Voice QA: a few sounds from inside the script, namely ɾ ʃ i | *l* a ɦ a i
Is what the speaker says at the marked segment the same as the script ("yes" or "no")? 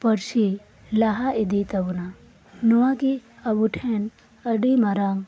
yes